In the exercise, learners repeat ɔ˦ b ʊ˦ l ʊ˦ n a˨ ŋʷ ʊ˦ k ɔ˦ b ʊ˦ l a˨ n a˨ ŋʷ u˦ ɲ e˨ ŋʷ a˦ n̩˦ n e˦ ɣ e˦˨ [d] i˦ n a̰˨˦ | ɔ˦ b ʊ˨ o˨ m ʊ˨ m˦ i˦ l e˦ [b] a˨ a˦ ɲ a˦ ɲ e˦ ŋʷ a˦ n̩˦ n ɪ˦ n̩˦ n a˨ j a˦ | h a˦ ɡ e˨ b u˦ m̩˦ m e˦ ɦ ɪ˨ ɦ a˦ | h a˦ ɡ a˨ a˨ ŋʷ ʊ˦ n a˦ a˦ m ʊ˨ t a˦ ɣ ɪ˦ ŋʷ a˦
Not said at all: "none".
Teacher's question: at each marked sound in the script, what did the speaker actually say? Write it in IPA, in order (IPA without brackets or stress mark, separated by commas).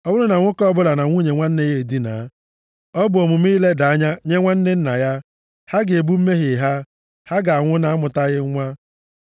d, d